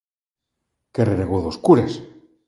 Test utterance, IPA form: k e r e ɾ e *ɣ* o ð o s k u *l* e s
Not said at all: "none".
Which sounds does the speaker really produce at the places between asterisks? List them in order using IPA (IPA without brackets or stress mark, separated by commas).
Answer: ɣ, ɾ